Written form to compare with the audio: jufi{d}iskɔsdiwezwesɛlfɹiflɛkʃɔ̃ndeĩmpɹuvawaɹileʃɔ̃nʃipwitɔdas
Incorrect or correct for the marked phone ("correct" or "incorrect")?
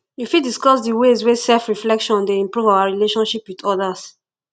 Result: correct